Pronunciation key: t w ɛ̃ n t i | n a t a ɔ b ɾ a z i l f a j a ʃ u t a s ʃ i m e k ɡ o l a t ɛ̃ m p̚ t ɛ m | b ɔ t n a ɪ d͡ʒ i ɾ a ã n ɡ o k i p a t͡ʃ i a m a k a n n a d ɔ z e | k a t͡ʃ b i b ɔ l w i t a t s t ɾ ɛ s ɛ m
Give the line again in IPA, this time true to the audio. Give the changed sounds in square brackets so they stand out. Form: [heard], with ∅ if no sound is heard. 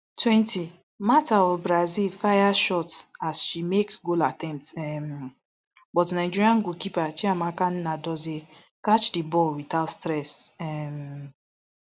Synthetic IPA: t w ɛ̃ n t i | [m] a t a ɔ b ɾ a z i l f a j a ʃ [ɔ] t a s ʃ i m e k ɡ o l a t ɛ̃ m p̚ t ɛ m | b ɔ t n a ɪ d͡ʒ i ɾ [i] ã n ɡ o k i p a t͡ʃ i a m a k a n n a d ɔ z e | k a t͡ʃ [d] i b ɔ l w i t a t s t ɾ ɛ s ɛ m